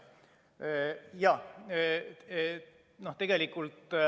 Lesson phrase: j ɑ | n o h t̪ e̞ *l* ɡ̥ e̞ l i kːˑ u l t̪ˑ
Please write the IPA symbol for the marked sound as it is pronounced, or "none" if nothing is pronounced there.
none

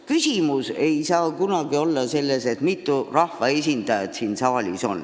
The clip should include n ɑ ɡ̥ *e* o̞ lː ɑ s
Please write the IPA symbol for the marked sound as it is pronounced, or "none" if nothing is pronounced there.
i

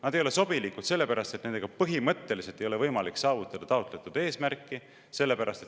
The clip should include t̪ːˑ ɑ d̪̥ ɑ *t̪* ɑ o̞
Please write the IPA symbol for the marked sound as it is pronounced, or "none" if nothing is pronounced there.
t̪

